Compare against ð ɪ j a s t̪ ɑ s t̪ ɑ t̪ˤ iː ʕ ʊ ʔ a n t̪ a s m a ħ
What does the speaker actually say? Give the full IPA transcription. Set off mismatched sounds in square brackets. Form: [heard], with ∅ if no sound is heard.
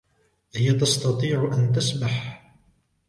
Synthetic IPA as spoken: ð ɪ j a [∅] t̪ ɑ s t̪ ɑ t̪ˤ iː ʕ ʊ ʔ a n t̪ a s m a ħ